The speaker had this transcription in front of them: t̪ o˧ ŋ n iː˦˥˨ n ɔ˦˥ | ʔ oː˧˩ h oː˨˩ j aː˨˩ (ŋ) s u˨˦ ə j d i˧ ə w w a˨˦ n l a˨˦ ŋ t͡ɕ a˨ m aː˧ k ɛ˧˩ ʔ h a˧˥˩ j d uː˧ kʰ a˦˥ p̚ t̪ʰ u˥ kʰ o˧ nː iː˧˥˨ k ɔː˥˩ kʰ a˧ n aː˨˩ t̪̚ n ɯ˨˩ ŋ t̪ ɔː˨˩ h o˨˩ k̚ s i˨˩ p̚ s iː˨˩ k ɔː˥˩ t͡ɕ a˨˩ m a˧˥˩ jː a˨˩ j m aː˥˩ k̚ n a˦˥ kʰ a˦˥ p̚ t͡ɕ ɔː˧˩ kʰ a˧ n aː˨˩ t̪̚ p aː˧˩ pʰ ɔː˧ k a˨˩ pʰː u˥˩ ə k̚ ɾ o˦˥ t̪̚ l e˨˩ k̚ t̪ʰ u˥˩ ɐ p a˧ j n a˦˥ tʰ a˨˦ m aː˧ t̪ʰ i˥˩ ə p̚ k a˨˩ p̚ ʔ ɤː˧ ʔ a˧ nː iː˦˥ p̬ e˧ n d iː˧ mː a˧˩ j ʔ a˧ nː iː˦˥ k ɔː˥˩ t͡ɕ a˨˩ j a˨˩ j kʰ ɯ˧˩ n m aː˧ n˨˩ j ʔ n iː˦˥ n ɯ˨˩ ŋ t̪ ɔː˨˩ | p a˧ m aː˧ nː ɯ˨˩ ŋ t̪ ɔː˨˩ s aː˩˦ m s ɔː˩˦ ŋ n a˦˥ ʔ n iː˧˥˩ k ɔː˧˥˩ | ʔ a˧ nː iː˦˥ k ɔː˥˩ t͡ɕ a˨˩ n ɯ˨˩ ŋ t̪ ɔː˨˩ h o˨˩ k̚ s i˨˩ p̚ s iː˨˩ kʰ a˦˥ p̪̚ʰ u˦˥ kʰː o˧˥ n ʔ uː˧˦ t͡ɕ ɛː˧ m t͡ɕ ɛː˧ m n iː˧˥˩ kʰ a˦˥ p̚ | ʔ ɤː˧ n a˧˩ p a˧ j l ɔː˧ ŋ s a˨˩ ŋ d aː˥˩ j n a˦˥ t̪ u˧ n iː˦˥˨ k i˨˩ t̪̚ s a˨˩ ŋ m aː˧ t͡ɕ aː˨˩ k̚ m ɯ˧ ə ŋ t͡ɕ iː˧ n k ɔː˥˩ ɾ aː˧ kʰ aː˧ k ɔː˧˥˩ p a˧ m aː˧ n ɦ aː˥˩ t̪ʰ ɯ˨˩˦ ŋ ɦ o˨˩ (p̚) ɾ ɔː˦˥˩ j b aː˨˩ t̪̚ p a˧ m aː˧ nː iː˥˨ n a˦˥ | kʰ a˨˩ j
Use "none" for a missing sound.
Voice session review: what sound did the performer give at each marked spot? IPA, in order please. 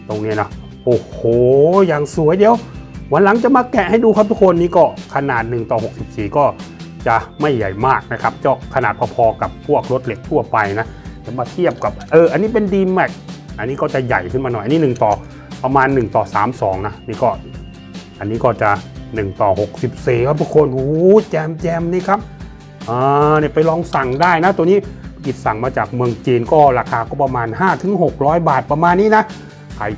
ŋ, k̚

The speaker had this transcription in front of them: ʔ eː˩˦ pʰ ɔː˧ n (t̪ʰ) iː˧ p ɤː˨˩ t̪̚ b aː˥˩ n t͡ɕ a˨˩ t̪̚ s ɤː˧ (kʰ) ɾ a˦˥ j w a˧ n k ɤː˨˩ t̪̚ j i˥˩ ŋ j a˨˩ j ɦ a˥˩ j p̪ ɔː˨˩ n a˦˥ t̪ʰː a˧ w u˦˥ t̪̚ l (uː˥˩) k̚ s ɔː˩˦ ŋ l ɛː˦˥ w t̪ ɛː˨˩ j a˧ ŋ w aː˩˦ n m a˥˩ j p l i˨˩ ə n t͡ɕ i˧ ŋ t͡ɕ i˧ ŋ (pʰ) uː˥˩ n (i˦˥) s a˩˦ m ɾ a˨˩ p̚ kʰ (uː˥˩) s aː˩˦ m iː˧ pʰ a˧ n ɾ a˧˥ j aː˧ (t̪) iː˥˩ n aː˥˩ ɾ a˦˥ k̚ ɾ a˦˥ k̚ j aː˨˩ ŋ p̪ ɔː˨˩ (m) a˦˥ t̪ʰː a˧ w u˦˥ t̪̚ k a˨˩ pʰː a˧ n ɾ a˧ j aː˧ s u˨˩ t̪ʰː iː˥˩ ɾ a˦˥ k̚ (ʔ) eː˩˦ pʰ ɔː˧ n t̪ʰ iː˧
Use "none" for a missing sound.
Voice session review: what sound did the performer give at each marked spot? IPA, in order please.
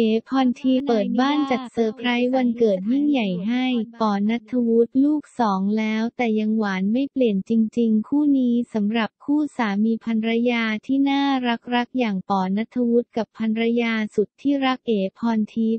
t̪ʰ, pʰ, uː˥˩, kʰ, iː˦˥, uː˥˩, t̪ʰ, n, ʔ

